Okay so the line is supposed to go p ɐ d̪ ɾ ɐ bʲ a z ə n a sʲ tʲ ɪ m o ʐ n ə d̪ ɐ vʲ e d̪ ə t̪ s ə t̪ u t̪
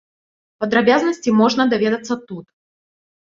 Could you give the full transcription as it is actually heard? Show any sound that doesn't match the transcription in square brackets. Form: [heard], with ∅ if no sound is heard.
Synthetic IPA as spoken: p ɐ d̪ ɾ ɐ bʲ a z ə n [ə] sʲ tʲ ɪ m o ʐ n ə d̪ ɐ vʲ e d̪ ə t̪ s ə t̪ u t̪